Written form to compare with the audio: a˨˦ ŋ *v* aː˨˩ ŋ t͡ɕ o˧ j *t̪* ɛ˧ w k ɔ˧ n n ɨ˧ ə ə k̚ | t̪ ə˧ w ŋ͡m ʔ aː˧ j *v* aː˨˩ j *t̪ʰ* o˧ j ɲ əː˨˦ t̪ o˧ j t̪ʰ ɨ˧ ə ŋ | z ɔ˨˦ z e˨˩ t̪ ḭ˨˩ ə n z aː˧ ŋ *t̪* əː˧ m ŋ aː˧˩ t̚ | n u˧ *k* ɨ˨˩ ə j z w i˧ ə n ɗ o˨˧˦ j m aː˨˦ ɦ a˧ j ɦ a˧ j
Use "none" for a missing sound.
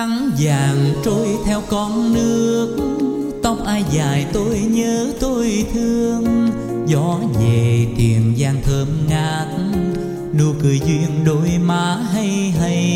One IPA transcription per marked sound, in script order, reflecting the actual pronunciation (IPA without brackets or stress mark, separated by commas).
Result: z, t̪ʰ, z, t̪, t̪ʰ, k